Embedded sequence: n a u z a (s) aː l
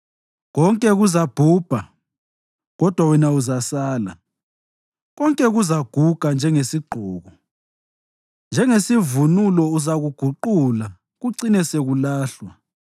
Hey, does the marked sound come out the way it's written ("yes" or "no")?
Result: yes